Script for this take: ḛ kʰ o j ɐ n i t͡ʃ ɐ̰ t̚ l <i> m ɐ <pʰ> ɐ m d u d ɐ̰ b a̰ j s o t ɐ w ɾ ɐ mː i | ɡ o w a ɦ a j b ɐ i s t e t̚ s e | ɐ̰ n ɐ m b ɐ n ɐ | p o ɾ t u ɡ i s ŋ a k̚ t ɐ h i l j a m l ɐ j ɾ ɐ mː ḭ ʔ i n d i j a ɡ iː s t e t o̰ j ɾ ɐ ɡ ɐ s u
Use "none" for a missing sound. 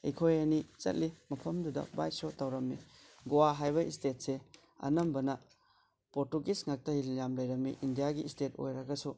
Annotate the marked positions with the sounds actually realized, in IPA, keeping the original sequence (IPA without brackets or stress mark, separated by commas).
i, pʰ